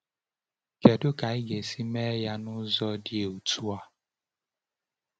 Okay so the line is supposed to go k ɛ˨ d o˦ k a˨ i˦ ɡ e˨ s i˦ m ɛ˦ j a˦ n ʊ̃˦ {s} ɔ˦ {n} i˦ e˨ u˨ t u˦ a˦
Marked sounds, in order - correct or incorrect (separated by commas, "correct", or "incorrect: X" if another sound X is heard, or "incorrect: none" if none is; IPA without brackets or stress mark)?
incorrect: z, incorrect: d